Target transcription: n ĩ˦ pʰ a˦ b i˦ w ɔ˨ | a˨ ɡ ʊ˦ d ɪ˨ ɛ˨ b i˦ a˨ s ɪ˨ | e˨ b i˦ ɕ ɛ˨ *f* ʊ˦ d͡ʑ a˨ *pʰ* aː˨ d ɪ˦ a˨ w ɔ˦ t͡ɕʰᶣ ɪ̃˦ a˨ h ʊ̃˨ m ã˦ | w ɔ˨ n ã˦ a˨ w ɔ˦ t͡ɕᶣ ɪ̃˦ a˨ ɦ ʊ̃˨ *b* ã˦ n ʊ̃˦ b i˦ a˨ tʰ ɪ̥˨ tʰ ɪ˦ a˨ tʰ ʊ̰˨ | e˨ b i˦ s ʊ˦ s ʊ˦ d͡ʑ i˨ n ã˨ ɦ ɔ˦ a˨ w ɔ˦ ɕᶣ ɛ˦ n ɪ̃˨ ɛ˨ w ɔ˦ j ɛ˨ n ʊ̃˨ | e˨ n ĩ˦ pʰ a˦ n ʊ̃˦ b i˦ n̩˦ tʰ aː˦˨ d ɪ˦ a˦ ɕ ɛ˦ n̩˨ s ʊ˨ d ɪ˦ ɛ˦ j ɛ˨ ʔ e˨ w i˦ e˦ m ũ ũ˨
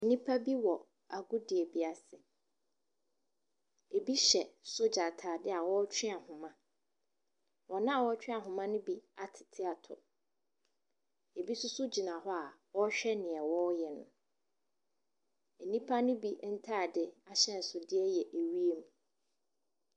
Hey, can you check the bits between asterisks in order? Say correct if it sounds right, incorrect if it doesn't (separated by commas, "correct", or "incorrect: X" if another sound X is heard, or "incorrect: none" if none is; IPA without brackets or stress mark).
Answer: incorrect: s, incorrect: tʰ, incorrect: m